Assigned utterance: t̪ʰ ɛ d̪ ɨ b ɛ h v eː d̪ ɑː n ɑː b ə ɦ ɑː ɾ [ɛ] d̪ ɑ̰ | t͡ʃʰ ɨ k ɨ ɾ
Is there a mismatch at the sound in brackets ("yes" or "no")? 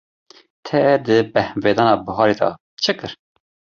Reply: yes